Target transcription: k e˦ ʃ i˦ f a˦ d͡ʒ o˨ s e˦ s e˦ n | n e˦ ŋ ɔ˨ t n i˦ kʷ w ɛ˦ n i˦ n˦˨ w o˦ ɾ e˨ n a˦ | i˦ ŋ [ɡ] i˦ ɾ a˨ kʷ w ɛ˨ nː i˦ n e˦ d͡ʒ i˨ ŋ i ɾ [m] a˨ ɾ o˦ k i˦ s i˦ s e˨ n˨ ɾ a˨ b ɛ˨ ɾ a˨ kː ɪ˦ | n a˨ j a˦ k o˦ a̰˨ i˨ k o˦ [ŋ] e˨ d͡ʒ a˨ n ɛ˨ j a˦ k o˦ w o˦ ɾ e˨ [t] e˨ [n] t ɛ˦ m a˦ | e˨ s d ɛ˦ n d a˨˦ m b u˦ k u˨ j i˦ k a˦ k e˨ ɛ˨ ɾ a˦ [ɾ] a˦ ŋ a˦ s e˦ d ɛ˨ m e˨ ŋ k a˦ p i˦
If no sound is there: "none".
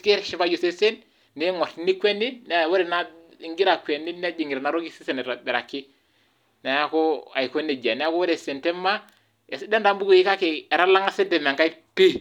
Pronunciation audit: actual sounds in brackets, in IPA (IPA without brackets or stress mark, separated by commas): ɡ, n, n, s, n, l